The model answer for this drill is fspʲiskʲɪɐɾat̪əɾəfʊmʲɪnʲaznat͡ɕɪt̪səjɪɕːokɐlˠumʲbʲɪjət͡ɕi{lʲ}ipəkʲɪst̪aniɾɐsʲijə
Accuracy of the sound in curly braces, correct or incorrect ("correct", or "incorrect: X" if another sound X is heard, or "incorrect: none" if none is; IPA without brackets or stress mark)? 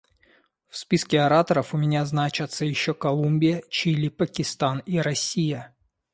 correct